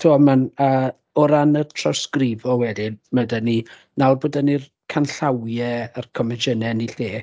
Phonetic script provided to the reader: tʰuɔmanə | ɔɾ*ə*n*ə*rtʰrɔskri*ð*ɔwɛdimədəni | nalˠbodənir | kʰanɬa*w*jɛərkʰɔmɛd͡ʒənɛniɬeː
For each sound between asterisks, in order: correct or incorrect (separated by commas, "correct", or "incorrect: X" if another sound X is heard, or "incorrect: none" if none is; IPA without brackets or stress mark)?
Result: incorrect: a, correct, incorrect: v, correct